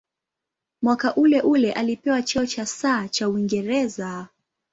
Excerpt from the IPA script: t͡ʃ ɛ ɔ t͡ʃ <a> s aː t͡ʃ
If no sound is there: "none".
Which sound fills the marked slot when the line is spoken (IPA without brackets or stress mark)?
a